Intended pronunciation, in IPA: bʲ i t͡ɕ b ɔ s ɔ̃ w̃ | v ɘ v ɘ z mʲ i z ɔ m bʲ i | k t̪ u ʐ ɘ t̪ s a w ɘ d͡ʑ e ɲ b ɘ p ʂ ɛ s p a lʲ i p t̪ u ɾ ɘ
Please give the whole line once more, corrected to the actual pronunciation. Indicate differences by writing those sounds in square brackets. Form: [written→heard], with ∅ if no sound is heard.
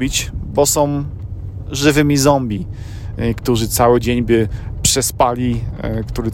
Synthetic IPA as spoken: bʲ i t͡ɕ b ɔ s ɔ̃ w̃ | [v→ʐ] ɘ v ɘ [z→∅] mʲ i z ɔ m bʲ i | k t̪ u ʐ ɘ t̪ s a w ɘ d͡ʑ e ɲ b ɘ p ʂ ɛ s p a lʲ i [p→k] t̪ u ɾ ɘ